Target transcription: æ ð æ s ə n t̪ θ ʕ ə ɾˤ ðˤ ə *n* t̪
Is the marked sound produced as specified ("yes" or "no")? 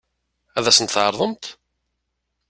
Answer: no